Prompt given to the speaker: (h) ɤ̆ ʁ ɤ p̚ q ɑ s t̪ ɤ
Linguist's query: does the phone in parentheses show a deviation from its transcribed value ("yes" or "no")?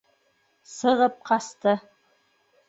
yes